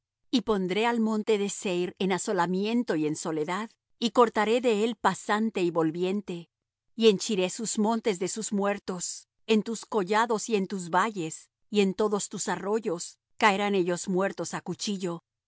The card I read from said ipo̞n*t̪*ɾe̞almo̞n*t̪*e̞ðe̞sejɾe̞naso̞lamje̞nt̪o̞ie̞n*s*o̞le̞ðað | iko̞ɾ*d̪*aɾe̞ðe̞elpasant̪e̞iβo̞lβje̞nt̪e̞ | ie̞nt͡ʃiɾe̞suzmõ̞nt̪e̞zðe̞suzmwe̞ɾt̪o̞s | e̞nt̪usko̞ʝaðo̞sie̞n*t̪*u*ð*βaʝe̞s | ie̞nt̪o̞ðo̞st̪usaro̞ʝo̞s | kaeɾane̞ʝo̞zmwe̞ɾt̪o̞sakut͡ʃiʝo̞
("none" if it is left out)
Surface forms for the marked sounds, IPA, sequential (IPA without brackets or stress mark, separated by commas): d̪, t̪, s, t̪, t̪, z